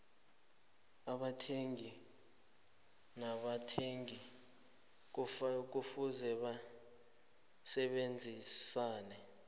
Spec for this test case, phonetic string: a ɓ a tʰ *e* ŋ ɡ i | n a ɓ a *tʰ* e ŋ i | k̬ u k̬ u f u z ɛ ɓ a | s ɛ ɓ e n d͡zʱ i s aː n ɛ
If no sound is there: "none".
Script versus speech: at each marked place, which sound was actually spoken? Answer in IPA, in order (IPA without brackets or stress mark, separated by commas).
e, tʰ